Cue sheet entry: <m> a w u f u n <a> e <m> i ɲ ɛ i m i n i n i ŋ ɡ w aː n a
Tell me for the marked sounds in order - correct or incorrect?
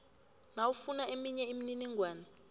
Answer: incorrect, correct, correct

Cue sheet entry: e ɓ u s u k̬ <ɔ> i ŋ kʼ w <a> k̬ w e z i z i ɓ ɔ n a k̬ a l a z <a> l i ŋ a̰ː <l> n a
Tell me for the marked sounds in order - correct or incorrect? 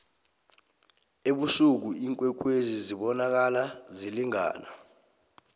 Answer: incorrect, incorrect, incorrect, incorrect

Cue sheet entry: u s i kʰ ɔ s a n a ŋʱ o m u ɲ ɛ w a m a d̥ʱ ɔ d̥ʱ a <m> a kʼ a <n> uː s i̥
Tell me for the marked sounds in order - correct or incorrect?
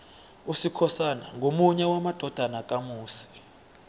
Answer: incorrect, incorrect

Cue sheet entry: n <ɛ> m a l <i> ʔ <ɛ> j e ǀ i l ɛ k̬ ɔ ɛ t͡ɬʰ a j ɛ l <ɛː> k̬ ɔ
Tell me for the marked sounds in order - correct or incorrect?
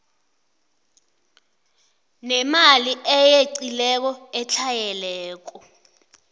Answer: correct, correct, correct, correct

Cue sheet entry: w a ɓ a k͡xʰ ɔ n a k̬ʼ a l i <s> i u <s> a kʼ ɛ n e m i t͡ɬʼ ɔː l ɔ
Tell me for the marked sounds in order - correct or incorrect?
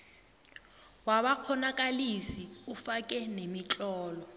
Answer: correct, incorrect

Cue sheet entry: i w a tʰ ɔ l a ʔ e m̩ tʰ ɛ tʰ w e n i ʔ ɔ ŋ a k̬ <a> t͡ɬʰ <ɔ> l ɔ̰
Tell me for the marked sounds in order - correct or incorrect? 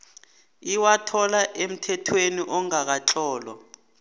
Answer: correct, incorrect

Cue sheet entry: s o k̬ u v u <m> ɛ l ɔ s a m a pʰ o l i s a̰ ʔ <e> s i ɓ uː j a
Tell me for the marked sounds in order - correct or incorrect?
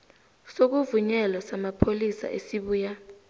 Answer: incorrect, correct

